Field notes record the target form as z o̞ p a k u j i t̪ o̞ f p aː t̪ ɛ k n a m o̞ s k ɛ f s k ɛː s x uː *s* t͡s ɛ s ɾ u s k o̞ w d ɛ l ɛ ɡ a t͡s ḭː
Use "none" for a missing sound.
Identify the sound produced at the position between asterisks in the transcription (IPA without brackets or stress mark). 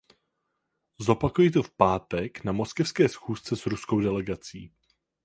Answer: s